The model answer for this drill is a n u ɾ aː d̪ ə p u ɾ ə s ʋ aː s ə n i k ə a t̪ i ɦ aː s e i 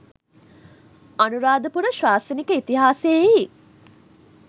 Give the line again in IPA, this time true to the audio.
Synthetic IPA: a n u ɾ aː d̪ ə p u ɾ ə ʃ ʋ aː s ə n i k ə i t̪ i ɦ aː s e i